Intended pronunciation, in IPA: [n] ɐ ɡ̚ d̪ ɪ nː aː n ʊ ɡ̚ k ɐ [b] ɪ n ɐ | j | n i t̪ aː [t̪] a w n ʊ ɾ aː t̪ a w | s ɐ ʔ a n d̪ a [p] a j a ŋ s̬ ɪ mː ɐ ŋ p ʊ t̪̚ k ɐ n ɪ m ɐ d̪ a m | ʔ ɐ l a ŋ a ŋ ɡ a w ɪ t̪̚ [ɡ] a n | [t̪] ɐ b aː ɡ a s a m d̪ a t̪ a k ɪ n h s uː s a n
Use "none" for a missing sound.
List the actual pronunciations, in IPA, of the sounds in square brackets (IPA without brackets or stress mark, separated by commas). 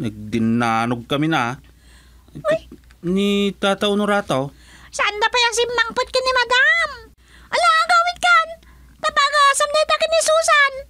n, m, t̪, p, k, t̪